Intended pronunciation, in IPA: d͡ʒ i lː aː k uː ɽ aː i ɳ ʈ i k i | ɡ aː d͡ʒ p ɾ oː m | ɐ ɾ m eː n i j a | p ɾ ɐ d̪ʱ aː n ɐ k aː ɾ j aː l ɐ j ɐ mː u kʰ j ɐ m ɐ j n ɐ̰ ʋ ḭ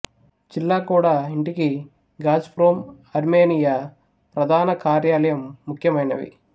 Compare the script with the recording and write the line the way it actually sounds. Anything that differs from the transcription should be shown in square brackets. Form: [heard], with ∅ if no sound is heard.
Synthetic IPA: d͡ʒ i lː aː k uː ɽ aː i ɳ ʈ i k i | ɡ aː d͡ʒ p ɾ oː m | ɐ ɾ m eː n i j a | p ɾ ɐ d̪ʱ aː n ɐ k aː ɾ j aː l ɐ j ɐ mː u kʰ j ɐ m ɐ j n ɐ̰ ʋ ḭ